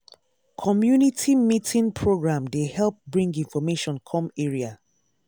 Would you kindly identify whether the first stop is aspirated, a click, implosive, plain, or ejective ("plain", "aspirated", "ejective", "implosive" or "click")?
aspirated